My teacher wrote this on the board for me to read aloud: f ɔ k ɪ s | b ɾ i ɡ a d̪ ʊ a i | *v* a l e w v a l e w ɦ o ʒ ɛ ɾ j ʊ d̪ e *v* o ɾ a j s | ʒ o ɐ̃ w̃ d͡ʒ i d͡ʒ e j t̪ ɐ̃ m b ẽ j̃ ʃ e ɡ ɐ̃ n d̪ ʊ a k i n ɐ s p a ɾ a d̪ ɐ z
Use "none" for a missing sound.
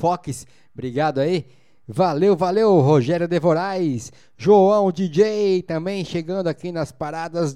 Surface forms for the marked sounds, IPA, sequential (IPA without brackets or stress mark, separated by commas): v, v